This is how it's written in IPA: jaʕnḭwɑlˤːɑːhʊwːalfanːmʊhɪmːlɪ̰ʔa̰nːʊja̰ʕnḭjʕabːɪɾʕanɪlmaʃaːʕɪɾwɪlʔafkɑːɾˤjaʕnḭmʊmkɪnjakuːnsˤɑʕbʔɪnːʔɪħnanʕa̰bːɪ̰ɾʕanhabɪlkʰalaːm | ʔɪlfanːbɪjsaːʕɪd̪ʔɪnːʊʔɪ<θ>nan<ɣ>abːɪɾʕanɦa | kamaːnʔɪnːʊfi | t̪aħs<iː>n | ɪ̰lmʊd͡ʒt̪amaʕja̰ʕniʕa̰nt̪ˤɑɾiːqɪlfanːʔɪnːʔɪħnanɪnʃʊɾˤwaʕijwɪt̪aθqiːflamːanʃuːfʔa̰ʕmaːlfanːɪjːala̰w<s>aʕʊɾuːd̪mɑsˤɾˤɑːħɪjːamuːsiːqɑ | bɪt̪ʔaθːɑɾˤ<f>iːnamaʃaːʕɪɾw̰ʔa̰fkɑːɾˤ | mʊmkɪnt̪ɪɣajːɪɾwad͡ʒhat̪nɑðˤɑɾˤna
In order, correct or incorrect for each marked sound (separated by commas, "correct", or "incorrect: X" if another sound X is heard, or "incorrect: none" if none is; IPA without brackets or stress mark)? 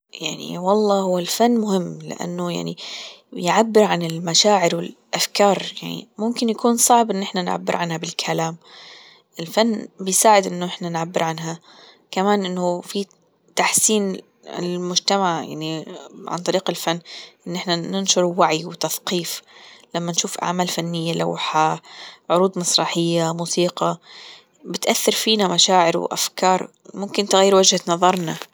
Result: incorrect: ħ, incorrect: ʕ, correct, incorrect: ħ, correct